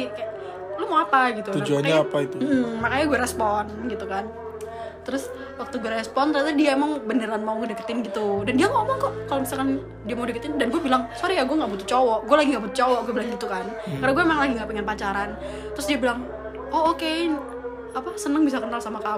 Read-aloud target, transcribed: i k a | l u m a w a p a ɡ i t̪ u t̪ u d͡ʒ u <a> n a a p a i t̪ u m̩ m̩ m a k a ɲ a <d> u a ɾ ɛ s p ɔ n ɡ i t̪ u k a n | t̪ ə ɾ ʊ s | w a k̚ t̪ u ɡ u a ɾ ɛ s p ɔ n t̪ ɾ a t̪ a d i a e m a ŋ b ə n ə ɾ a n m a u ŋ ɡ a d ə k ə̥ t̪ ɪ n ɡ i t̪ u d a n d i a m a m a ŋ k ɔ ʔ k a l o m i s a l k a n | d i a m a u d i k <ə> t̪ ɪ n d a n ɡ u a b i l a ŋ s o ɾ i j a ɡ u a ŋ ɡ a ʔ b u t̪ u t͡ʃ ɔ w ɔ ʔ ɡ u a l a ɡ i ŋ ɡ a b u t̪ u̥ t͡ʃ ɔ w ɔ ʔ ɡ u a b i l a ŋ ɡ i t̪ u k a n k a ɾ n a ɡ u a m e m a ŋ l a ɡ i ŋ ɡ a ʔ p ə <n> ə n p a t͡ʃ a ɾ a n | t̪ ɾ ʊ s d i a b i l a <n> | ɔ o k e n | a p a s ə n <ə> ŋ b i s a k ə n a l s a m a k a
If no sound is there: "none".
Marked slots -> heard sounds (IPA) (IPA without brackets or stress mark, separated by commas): a, ɡ, ə, ŋ, ŋ, ə